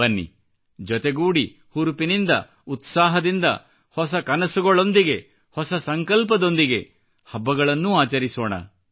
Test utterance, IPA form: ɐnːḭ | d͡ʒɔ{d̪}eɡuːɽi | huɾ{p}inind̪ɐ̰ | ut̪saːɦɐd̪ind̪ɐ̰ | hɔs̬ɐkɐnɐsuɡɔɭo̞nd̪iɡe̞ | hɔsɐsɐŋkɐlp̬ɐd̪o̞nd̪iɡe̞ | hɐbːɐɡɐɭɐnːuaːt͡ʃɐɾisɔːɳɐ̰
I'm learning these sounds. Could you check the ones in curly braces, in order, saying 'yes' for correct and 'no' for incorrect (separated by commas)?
no, yes